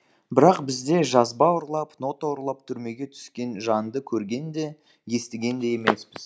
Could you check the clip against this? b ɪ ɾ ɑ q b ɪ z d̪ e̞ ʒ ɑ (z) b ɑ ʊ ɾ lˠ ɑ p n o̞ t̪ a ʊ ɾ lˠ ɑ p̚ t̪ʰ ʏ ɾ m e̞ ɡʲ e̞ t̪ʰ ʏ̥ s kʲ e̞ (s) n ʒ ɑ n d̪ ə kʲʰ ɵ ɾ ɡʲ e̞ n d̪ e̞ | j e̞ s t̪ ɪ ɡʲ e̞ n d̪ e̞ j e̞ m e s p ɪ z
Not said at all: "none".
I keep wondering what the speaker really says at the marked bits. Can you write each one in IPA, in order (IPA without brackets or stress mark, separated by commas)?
z, none